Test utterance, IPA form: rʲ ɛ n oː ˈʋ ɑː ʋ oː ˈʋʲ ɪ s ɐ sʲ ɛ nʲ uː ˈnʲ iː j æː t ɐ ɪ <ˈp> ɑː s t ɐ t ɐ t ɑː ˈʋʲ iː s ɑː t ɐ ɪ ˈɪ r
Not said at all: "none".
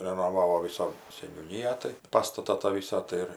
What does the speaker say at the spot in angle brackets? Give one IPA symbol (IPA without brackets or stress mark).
p